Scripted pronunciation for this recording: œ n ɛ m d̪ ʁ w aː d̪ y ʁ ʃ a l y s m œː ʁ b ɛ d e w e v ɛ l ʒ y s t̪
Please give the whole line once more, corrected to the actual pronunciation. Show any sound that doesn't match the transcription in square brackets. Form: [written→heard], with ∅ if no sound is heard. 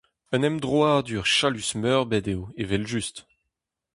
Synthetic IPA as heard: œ n ɛ m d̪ ʁ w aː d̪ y ʁ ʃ a l y s m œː ʁ b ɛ d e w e v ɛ l ʒ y s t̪